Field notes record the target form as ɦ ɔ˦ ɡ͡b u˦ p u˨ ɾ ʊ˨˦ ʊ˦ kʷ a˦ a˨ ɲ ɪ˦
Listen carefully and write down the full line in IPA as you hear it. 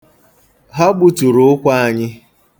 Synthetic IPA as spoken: ɦ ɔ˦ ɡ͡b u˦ t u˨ ɾ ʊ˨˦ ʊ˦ kʷ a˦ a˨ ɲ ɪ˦